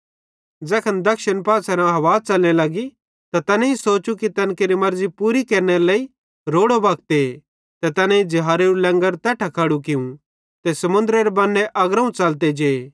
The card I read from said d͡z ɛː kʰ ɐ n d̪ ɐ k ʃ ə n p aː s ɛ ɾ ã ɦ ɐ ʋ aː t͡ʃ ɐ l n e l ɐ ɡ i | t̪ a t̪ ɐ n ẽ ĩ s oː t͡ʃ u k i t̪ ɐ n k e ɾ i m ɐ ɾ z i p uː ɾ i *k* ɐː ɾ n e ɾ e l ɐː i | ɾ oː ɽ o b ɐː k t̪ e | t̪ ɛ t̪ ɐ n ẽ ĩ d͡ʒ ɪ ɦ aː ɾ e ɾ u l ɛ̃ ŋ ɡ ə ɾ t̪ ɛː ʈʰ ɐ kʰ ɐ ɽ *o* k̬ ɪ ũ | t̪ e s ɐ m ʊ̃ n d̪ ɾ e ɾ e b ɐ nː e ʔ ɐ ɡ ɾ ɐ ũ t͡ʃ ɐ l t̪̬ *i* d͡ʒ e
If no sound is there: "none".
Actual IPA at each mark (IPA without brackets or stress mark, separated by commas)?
k, u, e